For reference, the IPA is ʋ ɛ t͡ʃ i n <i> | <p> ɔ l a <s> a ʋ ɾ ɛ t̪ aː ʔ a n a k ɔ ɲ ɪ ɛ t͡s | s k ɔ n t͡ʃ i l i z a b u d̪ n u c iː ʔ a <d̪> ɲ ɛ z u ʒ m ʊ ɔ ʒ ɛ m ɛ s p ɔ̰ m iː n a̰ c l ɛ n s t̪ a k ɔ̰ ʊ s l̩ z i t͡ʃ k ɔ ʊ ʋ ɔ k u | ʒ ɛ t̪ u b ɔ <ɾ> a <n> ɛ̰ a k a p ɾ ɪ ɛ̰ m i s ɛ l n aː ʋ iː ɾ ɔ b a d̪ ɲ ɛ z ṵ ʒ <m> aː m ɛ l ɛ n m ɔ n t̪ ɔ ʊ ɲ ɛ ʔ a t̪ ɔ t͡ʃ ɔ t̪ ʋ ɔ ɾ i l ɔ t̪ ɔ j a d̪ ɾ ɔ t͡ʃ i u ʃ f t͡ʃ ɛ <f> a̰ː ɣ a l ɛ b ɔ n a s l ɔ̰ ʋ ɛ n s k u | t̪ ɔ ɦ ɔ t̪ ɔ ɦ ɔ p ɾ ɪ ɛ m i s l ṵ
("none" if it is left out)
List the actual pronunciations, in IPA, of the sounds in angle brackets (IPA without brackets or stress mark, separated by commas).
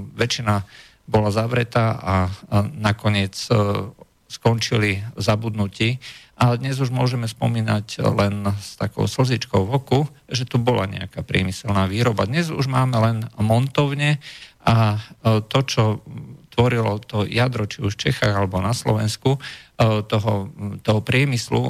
a, b, z, d̪, l, ɲ, m, x